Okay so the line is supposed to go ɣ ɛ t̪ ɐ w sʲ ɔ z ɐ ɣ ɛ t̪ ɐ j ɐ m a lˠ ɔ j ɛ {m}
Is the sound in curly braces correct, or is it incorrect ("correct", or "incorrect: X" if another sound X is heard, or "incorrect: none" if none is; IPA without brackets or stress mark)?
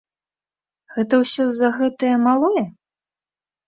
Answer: incorrect: none